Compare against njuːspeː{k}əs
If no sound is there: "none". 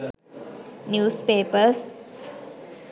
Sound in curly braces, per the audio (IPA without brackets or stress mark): p